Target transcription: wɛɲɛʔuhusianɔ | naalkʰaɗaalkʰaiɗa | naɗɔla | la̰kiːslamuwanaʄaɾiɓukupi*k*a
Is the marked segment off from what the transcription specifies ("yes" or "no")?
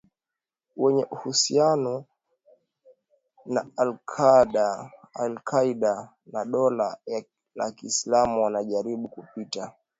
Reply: yes